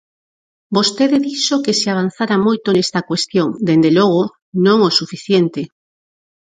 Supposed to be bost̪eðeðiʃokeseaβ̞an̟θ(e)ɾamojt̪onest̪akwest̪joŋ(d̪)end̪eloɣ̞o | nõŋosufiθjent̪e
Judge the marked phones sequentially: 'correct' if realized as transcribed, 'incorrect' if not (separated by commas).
incorrect, correct